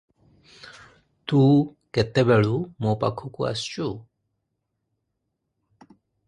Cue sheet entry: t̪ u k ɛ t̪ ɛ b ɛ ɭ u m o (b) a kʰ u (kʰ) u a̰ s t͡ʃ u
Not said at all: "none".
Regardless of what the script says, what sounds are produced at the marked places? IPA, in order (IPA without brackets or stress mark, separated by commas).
p, k